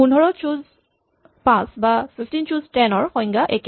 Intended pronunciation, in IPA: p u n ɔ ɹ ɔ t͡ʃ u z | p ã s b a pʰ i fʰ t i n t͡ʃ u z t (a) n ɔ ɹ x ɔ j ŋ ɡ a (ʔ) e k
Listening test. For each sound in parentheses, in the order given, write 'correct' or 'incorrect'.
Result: incorrect: ɛ, correct

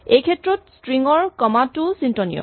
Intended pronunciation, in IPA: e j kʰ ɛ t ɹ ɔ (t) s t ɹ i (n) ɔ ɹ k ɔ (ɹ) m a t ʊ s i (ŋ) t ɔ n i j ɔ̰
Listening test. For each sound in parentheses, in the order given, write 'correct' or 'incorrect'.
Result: correct, incorrect: ŋ, incorrect: none, incorrect: n

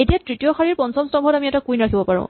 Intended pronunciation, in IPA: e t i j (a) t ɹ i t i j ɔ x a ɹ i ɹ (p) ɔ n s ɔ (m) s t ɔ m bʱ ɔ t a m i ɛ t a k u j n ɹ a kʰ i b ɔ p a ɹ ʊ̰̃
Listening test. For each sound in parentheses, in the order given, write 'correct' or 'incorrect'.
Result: correct, correct, correct

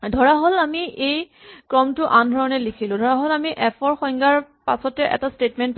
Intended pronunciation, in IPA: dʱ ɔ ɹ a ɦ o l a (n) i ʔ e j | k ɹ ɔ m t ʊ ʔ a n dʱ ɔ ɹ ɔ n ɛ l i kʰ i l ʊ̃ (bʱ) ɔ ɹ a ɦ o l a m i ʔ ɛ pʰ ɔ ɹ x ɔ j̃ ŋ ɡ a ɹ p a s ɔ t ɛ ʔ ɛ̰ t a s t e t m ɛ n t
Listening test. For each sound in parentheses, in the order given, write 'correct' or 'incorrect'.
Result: incorrect: m, incorrect: dʱ

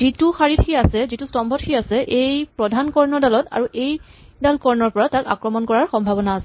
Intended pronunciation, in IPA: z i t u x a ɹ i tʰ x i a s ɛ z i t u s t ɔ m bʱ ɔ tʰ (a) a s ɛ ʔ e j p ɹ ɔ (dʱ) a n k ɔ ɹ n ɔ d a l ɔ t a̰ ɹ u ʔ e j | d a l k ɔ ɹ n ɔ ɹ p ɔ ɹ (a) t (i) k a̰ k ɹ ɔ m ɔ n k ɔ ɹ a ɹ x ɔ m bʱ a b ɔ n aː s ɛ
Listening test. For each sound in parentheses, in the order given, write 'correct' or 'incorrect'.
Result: incorrect: i, correct, correct, incorrect: a

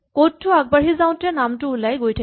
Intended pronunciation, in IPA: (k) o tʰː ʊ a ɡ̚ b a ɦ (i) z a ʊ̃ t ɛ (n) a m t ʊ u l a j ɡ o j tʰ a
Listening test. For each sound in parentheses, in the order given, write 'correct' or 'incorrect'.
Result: correct, correct, correct

